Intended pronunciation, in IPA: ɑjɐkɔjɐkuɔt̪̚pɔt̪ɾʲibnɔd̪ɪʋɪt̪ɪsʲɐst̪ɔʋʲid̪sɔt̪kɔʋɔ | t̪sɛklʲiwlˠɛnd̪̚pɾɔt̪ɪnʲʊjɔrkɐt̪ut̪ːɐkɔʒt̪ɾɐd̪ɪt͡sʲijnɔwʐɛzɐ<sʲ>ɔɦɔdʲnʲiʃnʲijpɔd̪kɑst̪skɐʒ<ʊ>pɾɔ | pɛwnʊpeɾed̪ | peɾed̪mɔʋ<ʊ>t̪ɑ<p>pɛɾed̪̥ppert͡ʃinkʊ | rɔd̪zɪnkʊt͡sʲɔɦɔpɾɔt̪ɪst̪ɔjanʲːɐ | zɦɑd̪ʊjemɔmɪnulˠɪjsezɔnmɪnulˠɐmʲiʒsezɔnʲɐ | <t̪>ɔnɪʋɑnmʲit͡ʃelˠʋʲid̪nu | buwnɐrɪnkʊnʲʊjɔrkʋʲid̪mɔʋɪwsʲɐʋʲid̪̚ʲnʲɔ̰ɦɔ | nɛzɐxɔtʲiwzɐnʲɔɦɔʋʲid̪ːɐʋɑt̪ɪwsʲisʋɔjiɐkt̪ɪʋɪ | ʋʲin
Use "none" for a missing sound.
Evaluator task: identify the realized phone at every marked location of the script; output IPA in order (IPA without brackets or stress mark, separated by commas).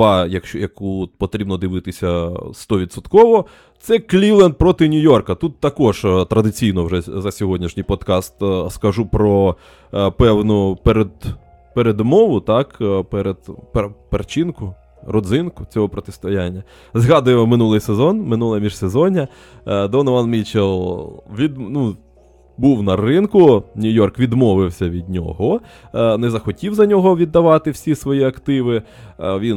sʲ, u, ʊ, k, d̪